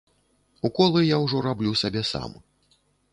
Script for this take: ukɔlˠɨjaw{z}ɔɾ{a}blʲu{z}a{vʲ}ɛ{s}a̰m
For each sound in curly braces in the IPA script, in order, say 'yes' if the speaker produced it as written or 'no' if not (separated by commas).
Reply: no, yes, no, no, yes